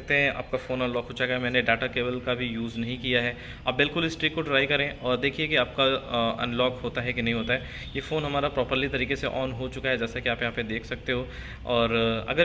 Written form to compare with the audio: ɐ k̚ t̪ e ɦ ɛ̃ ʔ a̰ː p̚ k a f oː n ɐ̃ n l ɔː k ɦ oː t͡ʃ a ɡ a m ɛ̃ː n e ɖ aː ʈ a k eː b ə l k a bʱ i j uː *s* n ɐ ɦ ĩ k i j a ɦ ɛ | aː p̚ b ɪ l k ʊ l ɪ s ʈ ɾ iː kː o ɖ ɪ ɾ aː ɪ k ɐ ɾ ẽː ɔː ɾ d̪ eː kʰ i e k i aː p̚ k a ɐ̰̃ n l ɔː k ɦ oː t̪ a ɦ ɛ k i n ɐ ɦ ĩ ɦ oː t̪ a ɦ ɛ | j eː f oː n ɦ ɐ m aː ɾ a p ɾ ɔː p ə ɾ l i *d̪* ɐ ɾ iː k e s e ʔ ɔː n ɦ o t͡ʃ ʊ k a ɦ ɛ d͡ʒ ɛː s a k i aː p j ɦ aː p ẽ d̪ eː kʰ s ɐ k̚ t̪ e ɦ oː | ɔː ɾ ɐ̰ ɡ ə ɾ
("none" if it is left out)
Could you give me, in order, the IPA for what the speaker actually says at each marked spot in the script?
z, t̪

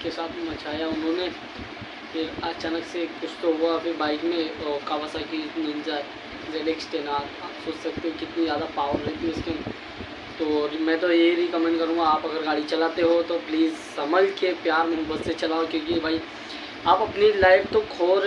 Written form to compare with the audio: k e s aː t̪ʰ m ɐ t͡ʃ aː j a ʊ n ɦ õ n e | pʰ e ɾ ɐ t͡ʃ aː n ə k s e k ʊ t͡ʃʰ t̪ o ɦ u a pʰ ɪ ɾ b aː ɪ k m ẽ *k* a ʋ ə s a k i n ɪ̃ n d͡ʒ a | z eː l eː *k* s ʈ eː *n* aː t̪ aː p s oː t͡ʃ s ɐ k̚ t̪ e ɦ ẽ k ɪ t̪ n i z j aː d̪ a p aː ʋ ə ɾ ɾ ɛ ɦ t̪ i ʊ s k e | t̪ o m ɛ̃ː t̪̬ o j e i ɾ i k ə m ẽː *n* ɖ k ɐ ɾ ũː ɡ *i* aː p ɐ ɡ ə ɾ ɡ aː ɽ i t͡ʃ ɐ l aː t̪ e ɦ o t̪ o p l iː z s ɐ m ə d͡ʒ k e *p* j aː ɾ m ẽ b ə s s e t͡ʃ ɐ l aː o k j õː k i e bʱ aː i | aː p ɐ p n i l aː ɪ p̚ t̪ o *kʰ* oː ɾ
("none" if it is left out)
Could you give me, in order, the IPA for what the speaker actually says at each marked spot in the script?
k, k, n, ɳ, a, p, kʰ

